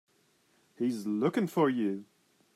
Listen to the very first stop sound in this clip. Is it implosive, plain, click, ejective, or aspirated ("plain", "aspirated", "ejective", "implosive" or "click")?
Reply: plain